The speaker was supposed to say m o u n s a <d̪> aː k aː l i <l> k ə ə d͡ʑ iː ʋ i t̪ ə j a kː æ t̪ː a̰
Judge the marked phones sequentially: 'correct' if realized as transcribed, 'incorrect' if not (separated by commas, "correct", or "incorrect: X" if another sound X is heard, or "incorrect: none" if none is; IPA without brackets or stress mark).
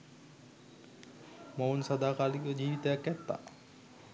correct, incorrect: none